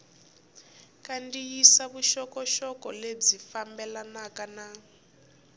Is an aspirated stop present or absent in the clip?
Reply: absent